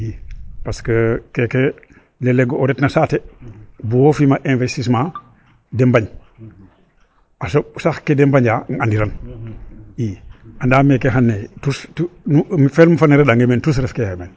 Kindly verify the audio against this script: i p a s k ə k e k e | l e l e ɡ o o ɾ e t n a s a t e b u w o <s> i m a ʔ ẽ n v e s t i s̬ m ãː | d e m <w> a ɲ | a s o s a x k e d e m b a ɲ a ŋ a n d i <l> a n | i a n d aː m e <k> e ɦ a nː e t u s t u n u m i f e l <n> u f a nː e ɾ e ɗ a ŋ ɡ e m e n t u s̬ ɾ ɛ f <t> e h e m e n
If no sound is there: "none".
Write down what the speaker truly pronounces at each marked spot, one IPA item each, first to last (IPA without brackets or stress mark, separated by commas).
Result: f, b, ɾ, k, m, k